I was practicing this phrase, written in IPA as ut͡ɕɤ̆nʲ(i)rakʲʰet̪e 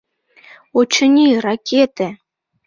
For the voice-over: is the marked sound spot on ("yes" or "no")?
yes